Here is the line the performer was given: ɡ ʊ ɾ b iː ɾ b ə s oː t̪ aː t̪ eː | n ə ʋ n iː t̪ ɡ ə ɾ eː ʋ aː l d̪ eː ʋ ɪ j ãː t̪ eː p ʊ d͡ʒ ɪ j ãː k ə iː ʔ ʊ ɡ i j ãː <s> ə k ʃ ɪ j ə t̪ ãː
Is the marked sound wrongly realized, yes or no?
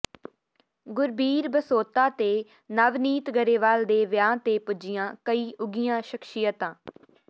yes